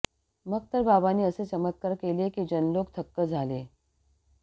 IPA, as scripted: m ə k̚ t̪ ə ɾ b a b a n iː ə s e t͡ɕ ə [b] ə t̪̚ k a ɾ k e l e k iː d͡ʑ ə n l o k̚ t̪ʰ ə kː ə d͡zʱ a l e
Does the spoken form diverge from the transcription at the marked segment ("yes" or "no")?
yes